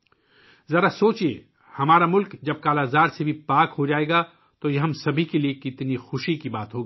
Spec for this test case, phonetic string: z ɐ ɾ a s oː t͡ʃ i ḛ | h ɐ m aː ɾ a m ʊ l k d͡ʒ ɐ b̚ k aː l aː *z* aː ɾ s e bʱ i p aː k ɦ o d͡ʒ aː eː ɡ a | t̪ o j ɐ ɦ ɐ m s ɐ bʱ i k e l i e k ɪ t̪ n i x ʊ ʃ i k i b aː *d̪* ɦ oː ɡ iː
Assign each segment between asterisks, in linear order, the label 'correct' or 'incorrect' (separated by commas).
correct, incorrect